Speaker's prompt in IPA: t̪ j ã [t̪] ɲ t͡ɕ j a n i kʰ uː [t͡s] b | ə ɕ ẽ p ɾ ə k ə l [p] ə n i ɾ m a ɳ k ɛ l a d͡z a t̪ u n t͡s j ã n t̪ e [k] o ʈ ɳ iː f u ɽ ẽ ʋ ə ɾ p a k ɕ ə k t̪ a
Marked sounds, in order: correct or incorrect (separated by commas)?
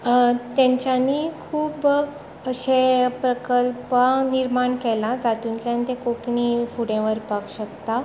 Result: incorrect, incorrect, correct, correct